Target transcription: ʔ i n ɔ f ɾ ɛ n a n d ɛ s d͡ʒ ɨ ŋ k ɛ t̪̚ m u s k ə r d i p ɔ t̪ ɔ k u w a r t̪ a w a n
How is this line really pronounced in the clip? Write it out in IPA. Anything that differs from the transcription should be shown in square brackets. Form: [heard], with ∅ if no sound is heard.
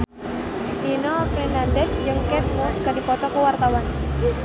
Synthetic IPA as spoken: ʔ i n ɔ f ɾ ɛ n a n d ɛ s d͡ʒ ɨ ŋ k ɛ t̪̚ m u s k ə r d i p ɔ t̪ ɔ k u w a r t̪ a w a n